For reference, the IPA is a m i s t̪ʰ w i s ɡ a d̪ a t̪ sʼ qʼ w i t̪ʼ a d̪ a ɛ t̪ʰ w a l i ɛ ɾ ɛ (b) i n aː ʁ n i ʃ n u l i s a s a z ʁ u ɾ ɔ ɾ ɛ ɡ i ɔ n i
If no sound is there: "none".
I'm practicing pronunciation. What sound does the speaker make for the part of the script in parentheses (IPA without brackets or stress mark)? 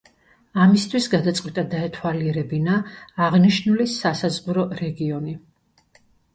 b